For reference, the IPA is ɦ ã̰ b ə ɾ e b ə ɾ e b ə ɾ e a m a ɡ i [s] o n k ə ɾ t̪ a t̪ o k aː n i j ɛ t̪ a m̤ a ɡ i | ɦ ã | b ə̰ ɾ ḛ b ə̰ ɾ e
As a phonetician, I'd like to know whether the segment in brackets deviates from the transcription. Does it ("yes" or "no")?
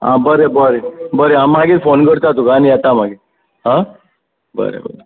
yes